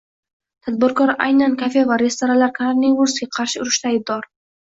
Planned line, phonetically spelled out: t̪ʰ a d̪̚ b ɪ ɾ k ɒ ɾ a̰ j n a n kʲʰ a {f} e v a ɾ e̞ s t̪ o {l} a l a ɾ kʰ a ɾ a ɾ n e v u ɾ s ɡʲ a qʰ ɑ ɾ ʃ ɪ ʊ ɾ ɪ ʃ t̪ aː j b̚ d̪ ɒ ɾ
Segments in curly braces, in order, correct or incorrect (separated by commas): correct, incorrect